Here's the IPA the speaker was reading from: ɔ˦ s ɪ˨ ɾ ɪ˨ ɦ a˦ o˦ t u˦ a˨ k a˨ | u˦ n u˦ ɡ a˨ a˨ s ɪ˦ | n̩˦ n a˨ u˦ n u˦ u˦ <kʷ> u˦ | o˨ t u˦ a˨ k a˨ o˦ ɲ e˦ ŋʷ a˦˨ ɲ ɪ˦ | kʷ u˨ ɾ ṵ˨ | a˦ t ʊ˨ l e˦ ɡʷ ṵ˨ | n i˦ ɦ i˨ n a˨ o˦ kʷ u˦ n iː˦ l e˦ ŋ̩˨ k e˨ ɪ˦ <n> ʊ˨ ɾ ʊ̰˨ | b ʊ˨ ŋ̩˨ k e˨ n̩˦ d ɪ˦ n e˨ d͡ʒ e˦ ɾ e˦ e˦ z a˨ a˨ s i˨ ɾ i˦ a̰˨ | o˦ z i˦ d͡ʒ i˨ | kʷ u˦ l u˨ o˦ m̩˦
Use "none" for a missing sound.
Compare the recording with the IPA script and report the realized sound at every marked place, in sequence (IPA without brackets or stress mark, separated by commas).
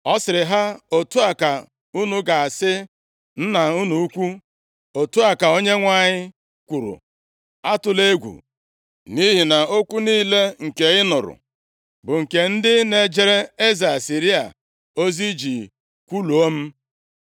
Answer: kʷ, n